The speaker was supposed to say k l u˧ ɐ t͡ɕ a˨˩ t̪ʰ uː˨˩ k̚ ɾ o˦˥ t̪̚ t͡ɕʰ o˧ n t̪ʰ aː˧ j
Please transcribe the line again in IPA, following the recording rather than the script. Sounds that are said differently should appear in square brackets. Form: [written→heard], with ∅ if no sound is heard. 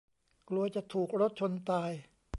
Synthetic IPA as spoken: k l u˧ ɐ t͡ɕ a˨˩ t̪ʰ uː˨˩ k̚ ɾ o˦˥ t̪̚ t͡ɕʰ o˧ n [t̪ʰ→t̪] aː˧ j

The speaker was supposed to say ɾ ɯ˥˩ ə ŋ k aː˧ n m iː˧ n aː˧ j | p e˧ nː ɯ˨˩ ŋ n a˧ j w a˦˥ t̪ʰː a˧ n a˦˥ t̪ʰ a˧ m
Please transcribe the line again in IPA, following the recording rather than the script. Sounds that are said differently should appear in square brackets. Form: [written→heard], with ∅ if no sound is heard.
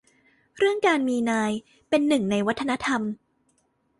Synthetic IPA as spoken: ɾ ɯ˥˩ ə ŋ k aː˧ n m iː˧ n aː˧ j | p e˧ nː ɯ˨˩ ŋ n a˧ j w a˦˥ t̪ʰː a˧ n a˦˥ t̪ʰ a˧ m

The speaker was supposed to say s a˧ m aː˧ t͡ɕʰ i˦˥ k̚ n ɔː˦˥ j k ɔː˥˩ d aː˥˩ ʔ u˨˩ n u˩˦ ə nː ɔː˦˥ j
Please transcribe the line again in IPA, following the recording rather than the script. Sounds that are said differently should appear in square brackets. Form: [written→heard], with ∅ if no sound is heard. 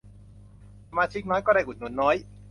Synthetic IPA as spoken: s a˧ m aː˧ t͡ɕʰ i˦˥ k̚ n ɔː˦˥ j k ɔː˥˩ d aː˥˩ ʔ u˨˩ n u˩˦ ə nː ɔː˦˥ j

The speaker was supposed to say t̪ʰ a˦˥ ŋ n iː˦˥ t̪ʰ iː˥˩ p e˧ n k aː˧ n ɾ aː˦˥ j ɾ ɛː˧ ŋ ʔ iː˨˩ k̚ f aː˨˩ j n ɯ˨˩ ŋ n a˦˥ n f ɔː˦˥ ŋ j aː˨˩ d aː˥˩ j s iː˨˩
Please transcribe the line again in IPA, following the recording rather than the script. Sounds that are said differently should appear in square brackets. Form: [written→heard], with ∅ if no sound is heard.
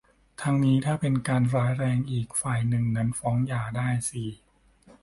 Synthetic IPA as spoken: t̪ʰ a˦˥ ŋ n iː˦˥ t̪ʰ [iː˥˩→aː˥˩] p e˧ n k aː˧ n ɾ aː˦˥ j ɾ ɛː˧ ŋ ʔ iː˨˩ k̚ f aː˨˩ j n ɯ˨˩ ŋ n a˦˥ n f ɔː˦˥ ŋ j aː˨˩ d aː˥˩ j s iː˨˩

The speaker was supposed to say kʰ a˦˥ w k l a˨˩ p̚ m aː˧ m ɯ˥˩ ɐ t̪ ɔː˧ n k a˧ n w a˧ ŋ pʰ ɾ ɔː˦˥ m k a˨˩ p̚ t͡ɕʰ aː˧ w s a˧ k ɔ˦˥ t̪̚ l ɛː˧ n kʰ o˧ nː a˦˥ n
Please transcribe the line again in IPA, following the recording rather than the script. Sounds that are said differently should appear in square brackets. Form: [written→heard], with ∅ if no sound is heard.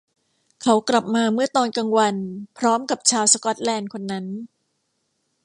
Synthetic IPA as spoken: kʰ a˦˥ w k l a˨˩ p̚ m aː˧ m ɯ˥˩ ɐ t̪ ɔː˧ n k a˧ [n→ŋ] w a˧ [ŋ→n] pʰ ɾ ɔː˦˥ m k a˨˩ p̚ t͡ɕʰ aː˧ w s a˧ k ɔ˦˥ t̪̚ l ɛː˧ n kʰ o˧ nː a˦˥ n

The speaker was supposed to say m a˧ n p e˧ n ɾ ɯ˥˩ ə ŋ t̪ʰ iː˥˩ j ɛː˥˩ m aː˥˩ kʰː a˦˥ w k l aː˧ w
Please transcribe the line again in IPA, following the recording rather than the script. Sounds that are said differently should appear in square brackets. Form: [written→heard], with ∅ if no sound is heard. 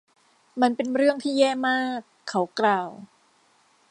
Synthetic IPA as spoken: m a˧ n p e˧ n ɾ ɯ˥˩ ə ŋ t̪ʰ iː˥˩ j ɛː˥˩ m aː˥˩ kʰː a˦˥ w k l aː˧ w

